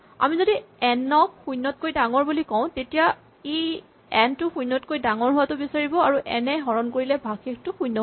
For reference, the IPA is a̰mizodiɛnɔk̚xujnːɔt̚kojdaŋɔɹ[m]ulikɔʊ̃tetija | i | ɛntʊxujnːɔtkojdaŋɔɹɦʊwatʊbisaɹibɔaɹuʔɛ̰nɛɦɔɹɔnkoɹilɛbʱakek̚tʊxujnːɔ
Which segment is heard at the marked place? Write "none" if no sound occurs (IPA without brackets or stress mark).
b